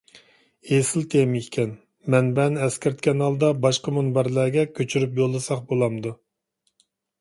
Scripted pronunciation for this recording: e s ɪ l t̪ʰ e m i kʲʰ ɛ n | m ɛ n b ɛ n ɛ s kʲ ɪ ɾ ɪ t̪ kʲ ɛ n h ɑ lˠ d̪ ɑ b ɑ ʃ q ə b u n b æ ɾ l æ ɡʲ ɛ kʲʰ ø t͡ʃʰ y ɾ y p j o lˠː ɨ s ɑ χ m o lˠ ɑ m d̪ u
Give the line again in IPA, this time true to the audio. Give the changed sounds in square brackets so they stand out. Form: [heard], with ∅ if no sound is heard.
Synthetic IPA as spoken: e s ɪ l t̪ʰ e m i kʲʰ ɛ n | m ɛ n b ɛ n ɛ s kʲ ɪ ɾ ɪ t̪ kʲ ɛ n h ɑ lˠ d̪ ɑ b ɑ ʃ q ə [m] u n b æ ɾ l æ ɡʲ ɛ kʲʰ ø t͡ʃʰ y ɾ y p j o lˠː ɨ s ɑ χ [b] o lˠ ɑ m d̪ u